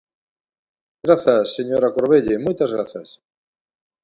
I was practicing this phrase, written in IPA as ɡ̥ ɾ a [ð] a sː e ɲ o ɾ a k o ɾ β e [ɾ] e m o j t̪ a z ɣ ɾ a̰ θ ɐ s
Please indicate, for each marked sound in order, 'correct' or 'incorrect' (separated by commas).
incorrect, incorrect